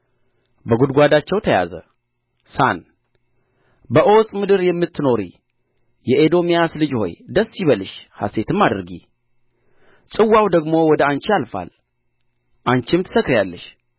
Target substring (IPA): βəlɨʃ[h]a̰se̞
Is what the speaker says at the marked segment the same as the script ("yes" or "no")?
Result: yes